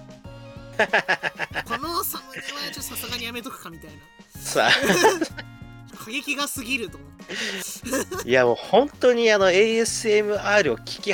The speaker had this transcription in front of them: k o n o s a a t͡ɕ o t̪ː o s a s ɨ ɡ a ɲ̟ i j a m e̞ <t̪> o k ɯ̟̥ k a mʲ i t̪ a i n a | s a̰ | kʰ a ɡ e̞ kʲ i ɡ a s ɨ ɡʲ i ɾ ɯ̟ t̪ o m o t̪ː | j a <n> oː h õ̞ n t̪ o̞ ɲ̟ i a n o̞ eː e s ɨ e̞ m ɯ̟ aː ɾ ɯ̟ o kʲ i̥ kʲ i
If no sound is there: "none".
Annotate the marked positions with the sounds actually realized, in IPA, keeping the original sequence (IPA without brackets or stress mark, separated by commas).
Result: t̪, m